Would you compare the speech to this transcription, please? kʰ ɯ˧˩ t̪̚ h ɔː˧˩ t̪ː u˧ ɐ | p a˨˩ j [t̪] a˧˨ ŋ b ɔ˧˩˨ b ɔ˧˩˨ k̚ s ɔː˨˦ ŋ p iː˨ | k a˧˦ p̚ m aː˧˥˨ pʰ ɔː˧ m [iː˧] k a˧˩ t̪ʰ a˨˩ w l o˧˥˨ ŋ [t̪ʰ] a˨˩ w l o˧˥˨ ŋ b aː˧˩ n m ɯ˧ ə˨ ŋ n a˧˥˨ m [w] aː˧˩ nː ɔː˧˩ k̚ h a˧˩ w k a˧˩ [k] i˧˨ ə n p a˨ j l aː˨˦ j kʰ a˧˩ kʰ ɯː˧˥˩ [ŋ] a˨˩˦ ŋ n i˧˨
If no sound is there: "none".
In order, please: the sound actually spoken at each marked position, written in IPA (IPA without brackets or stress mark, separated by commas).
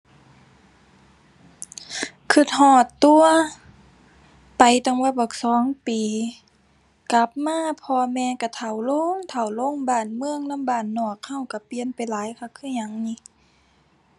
t̪, ɛː˧, t̪ʰ, b, p, ɲ